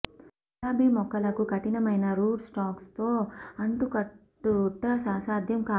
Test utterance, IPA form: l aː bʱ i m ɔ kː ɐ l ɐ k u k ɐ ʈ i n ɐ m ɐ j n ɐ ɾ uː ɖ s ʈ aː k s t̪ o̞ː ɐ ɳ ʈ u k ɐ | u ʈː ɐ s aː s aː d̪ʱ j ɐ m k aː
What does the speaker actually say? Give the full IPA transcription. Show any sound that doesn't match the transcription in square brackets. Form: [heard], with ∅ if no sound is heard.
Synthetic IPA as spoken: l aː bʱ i m ɔ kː ɐ l ɐ k u k ɐ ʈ i n ɐ m ɐ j n ɐ ɾ uː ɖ s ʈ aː k s t̪ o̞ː ɐ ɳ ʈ u k ɐ | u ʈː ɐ s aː s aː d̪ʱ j ɐ m k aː